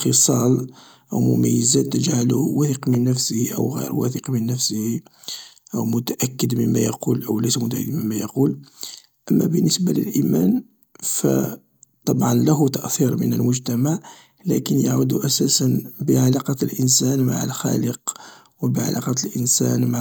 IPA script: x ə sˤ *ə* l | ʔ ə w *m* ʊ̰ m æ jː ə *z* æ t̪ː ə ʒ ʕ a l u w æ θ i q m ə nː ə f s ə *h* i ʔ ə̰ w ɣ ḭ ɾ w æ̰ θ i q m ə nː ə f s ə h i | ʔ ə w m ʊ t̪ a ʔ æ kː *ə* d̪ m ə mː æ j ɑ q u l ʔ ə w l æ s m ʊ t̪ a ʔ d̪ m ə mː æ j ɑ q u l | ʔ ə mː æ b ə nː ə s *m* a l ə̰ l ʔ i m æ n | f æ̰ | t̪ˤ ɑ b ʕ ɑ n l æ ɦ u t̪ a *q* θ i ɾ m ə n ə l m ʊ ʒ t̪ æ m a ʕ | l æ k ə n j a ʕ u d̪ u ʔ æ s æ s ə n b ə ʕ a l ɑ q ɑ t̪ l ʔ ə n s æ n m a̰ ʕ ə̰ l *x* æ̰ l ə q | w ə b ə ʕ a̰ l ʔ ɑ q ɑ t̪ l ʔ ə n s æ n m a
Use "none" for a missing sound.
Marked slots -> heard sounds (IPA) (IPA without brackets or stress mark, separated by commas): ɑ, m, z, h, ə, b, ʔ, x